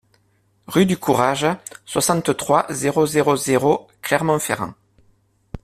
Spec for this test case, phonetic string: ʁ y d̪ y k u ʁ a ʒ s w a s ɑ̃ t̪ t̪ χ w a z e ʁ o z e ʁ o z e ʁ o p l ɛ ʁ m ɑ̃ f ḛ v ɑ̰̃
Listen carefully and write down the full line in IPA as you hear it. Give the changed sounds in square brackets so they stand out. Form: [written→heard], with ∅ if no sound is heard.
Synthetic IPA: ʁ y d̪ y k u ʁ a ʒ s w a s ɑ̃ t̪ t̪ χ w a z e ʁ o z e ʁ o z e ʁ o [p→k] l ɛ ʁ m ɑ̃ f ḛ [v→ʁ] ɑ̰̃